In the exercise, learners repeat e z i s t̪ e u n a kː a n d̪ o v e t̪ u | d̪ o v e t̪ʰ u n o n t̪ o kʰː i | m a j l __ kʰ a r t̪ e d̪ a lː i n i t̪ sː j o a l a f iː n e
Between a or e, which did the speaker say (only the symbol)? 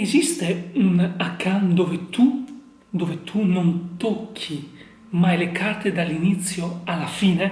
e